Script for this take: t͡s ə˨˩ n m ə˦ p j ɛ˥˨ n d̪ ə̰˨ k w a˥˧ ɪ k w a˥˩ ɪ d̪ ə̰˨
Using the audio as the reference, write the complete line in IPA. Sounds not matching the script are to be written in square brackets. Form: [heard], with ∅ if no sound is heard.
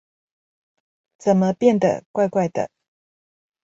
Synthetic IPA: t͡s ə˨˩ n m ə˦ p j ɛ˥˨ n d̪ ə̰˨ k w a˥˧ ɪ k w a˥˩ ɪ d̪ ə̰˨